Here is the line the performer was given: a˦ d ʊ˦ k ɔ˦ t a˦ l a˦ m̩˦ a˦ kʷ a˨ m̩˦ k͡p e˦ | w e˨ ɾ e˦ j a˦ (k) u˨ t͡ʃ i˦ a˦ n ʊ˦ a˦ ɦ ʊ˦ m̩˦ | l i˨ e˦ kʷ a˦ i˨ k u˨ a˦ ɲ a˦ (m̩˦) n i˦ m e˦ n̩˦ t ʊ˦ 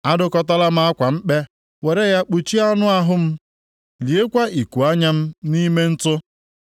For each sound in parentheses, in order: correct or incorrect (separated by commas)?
incorrect, correct